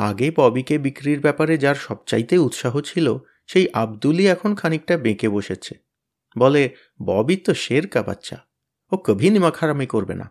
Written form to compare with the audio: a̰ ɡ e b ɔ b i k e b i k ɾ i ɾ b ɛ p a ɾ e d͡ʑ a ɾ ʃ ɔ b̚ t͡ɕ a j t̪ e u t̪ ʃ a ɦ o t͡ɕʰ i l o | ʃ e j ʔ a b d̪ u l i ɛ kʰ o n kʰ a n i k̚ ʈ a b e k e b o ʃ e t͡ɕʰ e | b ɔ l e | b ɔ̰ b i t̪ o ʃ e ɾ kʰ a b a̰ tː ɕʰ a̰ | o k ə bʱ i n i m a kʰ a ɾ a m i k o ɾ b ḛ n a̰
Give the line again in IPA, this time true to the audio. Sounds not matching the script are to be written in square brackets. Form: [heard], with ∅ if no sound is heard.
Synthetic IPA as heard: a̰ ɡ e b ɔ b i k e b i k ɾ i ɾ b ɛ p a ɾ e d͡ʑ a ɾ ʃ ɔ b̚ t͡ɕ a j t̪ e u t̪ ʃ a ɦ o t͡ɕʰ i l o | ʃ e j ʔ a b d̪ u l i ɛ kʰ o n kʰ a n i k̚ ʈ a b e k e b o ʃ e t͡ɕʰ e | b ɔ l e | b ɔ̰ b i t̪ o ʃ e ɾ [k] a b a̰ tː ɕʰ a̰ | o k ə bʱ i n i m a kʰ a ɾ a m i k o ɾ b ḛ n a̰